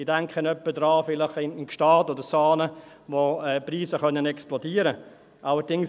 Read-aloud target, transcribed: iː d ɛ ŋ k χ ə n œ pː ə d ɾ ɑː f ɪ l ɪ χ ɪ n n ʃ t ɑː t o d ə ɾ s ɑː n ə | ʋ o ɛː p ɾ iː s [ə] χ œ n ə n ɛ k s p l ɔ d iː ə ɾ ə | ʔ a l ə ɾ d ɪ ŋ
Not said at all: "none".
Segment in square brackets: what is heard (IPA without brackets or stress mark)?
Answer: ə